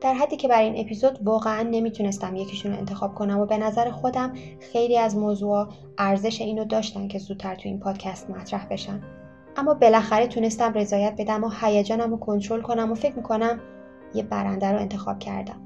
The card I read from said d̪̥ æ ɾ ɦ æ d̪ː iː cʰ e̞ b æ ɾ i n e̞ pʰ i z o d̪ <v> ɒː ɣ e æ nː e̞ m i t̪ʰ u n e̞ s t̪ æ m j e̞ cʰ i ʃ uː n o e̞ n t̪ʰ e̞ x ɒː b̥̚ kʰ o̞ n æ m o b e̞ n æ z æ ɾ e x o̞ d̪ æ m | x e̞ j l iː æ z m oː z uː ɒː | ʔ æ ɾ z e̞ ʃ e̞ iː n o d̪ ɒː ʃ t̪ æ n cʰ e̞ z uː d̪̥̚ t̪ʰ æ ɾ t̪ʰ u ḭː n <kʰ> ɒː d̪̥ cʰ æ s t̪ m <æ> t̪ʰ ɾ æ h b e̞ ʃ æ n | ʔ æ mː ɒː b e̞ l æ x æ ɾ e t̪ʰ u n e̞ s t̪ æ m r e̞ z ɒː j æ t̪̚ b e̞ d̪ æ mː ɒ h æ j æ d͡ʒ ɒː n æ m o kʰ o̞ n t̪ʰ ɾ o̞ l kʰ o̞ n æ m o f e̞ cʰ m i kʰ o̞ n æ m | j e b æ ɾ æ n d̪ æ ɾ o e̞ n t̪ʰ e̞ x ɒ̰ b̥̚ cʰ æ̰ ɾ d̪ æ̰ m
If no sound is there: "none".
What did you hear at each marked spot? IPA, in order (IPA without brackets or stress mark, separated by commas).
v, pʰ, æ